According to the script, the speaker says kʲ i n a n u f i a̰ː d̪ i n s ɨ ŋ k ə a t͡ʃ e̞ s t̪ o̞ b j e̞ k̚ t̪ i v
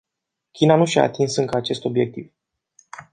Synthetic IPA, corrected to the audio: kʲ i n a n u ʃ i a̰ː t̪ i n s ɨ ŋ k ə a t͡ʃ e̞ s t̪ o̞ b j e̞ k̚ t̪ i v